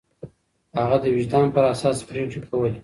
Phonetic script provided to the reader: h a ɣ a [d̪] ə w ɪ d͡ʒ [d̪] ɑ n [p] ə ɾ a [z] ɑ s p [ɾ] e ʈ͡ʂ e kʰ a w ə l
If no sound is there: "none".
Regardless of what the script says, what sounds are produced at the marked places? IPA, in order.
d̪, d̪, p, s, ɾ

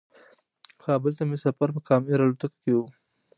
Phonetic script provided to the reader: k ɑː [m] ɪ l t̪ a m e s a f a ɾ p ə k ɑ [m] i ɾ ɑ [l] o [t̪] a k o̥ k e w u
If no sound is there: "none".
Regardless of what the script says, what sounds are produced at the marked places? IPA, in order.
b, m, l, t̪

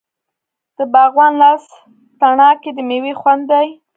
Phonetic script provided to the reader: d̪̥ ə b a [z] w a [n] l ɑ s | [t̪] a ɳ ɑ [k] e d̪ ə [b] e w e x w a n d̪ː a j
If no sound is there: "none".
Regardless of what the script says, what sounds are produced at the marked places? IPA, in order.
ɣ, n, t̪, k, m

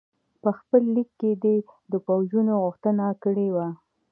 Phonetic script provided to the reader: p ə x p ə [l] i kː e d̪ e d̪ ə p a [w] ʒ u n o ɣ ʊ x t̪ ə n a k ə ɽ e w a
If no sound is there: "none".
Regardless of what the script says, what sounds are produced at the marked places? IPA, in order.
lː, w

